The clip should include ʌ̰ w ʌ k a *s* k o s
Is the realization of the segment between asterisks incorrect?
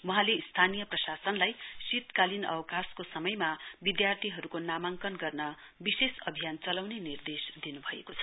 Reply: no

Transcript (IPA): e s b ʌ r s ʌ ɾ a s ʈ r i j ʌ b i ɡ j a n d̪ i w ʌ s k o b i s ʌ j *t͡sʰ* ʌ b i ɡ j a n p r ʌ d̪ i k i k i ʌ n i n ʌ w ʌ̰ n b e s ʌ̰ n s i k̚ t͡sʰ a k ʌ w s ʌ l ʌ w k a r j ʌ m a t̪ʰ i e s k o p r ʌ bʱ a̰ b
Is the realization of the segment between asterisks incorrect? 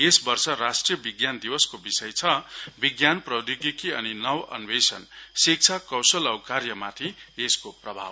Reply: no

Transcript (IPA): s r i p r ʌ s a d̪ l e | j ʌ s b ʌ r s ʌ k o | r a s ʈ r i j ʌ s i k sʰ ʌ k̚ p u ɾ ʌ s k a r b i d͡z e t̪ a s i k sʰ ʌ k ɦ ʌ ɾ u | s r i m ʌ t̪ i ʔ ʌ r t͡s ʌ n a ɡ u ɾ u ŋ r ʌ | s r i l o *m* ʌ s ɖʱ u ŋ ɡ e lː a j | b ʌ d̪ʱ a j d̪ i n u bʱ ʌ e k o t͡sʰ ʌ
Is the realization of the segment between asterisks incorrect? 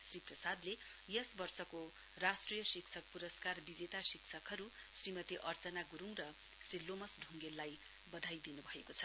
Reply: no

